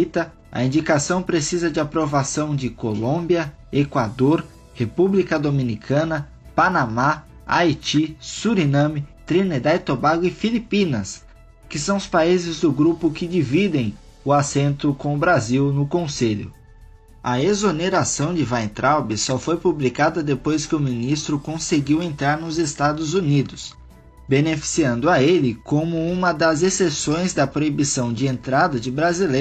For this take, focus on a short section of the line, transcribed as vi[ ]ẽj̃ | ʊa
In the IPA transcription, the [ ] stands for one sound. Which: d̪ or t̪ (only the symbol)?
d̪